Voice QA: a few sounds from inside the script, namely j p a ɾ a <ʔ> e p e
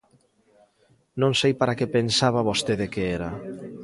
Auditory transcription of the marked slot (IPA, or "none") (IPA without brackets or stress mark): k